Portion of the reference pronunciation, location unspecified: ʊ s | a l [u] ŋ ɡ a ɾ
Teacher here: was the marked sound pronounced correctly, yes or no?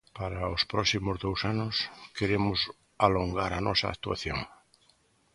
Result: no